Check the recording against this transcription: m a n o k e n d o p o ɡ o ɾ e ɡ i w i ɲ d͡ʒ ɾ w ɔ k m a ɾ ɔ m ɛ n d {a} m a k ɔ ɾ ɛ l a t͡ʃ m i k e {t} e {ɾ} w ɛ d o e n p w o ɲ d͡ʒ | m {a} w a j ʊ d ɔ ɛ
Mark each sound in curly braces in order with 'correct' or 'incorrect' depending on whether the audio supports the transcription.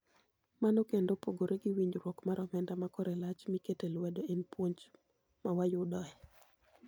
correct, correct, incorrect: l, correct

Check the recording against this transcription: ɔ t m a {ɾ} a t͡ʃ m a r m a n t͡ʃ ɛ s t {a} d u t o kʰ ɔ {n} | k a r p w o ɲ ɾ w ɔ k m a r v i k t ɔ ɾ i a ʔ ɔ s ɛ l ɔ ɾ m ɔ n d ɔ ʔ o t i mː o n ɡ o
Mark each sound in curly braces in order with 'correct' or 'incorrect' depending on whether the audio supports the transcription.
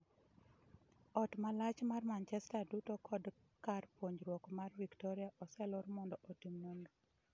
incorrect: l, correct, incorrect: d

